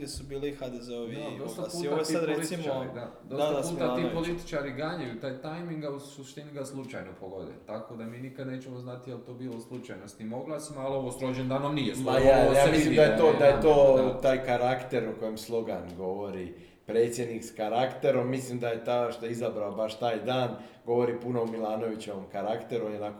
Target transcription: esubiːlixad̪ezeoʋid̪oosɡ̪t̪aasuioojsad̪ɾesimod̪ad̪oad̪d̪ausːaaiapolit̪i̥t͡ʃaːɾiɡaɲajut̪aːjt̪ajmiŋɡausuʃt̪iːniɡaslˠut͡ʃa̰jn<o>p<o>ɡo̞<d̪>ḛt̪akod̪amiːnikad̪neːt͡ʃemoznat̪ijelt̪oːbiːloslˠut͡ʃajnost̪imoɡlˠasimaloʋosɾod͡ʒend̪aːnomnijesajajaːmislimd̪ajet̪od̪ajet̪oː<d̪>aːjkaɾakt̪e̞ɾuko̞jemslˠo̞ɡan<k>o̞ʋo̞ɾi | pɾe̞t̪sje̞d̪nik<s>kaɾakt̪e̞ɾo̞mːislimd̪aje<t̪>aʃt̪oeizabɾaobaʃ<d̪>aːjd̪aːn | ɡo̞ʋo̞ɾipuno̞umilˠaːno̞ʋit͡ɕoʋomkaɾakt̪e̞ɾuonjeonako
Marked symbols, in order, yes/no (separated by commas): yes, yes, yes, no, no, yes, yes, no